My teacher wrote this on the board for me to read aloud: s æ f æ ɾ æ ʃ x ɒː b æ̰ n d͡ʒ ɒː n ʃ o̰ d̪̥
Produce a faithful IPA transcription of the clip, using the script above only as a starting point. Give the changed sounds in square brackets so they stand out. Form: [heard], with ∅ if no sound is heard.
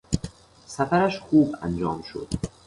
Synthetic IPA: s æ f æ ɾ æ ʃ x [uː] b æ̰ n d͡ʒ ɒː [m] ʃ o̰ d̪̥